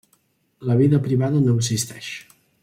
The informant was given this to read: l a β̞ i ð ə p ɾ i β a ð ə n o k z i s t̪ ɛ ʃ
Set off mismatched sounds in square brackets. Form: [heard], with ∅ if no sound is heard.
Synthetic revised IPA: l [ə] β̞ i ð ə p ɾ i β a ð ə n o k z i s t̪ ɛ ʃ